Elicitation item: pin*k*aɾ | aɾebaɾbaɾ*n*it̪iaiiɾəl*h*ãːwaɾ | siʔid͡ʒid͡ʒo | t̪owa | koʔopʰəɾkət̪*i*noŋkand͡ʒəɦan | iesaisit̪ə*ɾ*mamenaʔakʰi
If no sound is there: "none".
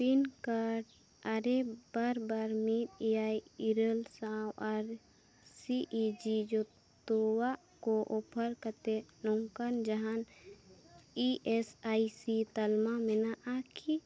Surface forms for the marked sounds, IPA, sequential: k, m, s, e, l

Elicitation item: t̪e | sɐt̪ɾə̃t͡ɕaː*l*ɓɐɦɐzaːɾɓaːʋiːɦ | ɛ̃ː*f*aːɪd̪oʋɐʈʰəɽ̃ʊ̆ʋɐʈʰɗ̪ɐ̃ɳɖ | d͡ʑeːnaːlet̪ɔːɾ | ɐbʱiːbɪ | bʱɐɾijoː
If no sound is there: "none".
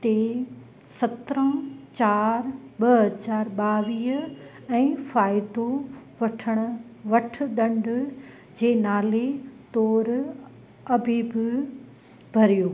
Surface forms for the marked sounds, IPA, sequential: ɾ, f

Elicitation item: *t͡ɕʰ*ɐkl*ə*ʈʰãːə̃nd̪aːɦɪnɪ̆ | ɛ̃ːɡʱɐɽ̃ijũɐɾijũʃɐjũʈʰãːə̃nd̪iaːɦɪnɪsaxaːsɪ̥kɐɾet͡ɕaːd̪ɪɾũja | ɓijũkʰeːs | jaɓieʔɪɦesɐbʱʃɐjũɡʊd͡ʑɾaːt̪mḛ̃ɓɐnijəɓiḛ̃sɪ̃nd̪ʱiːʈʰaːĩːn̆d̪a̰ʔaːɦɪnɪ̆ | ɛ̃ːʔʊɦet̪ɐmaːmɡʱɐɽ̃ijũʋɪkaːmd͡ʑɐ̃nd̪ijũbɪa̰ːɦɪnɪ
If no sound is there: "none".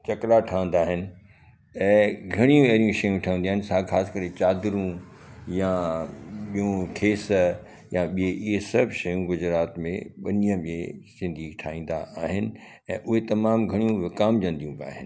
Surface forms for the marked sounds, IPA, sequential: t͡ɕ, a

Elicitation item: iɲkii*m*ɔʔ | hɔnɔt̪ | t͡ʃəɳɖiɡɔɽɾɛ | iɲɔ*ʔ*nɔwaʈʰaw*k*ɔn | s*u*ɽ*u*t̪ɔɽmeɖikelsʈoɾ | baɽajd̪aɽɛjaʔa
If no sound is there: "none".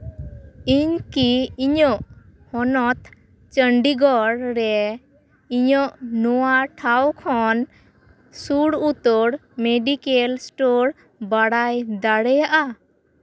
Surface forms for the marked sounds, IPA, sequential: ɲ, ʔ, kʰ, u, u

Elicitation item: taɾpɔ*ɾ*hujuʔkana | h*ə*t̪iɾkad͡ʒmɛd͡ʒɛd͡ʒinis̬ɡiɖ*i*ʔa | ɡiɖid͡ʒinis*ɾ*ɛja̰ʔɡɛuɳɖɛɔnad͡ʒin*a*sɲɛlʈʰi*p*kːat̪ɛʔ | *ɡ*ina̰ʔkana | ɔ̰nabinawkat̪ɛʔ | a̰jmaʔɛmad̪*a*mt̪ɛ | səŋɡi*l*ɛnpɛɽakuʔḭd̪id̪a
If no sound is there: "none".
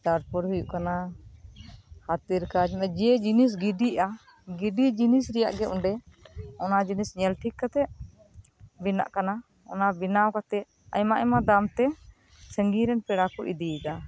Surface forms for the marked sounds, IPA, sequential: ɾ, a, i, ɾ, i, k, b, a, ɾ

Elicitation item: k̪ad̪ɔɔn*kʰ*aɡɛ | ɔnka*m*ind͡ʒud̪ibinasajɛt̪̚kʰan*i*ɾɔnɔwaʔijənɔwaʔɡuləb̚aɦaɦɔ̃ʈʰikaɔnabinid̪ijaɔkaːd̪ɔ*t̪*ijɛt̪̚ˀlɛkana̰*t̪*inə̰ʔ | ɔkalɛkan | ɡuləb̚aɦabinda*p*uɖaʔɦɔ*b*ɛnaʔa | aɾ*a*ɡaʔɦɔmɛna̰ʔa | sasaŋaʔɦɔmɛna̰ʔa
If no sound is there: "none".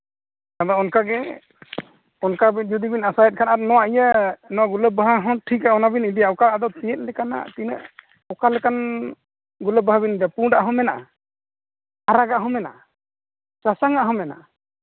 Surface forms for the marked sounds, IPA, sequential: k, b, a, t̪, t̪, p, m, a

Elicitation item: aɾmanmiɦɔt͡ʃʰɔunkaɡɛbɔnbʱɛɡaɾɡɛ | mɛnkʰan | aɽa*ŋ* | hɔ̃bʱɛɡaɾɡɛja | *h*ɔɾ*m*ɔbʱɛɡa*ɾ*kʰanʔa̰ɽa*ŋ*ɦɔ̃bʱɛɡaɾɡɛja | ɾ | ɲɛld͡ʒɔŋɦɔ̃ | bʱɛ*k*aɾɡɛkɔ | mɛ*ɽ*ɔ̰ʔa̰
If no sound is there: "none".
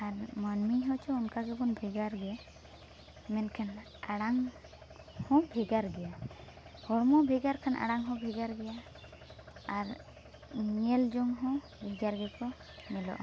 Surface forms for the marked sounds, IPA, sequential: ŋ, h, m, ɾ, ŋ, ɡ, l

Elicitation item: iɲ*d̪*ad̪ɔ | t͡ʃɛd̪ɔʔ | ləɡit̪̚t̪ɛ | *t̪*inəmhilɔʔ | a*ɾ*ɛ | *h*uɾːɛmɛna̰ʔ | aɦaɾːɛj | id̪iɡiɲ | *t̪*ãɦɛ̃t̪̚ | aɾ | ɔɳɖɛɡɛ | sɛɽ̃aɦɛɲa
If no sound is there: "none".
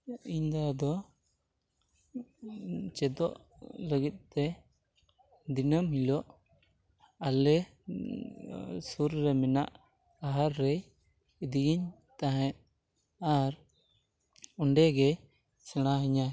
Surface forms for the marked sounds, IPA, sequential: d̪, d̪, l, s, t̪

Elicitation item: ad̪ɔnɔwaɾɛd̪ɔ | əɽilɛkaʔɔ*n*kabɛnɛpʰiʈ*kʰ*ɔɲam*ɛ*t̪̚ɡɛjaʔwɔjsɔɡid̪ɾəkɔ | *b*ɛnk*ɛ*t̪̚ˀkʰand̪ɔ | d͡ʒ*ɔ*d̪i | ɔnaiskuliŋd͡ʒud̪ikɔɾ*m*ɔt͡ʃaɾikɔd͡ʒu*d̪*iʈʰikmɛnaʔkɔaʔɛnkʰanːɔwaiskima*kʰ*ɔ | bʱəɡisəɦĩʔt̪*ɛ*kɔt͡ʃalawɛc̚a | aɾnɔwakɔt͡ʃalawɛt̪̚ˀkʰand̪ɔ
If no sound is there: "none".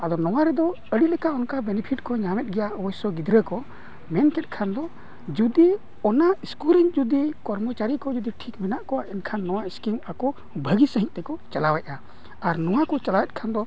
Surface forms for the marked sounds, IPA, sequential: n, k, ɛ, m, ɛ, u, m, d̪, k, ɛ

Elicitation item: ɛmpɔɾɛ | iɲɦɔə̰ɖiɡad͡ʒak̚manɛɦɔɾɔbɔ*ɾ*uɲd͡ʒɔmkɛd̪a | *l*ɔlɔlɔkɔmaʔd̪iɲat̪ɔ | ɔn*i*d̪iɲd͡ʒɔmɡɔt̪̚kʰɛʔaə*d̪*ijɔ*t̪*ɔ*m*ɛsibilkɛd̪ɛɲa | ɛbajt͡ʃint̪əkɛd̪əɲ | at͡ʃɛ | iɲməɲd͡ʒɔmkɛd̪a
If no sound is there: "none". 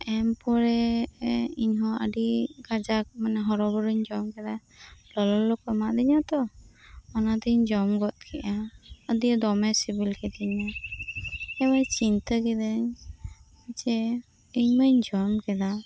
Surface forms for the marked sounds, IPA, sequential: ɾ, l, a, d̪, d̪, m

